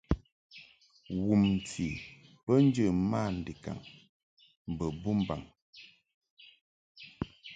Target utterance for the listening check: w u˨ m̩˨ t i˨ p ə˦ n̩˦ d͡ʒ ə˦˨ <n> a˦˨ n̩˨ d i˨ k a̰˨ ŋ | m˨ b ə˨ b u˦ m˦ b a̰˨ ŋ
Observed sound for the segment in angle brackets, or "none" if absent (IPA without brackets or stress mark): m